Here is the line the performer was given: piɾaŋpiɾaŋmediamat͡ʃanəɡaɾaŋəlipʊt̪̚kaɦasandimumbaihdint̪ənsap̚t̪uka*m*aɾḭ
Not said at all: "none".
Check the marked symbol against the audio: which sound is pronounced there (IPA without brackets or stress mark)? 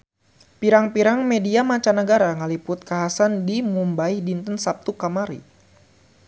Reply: m